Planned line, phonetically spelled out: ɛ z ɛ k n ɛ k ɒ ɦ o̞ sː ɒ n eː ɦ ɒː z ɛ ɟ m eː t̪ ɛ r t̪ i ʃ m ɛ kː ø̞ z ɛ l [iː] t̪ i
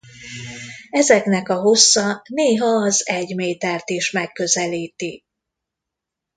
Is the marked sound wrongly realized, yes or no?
no